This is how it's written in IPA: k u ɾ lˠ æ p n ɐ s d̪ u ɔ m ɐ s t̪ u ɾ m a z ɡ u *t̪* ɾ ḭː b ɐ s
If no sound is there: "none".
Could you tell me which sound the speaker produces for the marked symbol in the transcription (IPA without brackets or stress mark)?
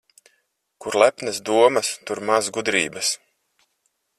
d̪